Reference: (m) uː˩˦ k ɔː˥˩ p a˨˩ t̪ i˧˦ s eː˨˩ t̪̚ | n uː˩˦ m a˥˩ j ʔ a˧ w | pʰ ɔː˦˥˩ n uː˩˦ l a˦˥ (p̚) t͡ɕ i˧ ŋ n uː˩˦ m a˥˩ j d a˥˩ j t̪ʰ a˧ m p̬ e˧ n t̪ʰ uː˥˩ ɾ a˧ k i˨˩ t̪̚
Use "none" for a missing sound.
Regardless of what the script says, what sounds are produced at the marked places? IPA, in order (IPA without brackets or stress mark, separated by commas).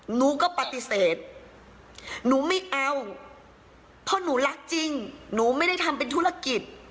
n, k̚